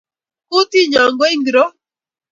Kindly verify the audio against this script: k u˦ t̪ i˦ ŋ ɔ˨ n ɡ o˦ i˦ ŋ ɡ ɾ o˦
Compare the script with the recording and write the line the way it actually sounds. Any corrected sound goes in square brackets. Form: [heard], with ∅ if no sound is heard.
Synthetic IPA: k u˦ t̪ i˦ [ɲ] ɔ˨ [ŋ] ɡ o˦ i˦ ŋ ɡ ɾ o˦